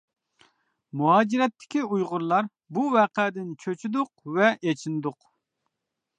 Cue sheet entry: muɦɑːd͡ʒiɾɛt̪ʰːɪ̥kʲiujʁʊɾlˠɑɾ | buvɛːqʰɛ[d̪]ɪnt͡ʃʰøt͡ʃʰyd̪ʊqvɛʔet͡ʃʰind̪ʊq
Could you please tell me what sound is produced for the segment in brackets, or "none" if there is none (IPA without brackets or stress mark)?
d̪